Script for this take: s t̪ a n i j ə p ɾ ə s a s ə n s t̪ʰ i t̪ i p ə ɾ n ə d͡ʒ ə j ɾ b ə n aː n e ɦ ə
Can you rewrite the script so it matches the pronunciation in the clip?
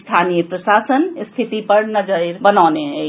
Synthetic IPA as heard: s t̪ʰ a n i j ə p ɾ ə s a s ə n s t̪ʰ i t̪ i p ə ɾ n ə d͡ʒ ə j ɾ b ə n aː n e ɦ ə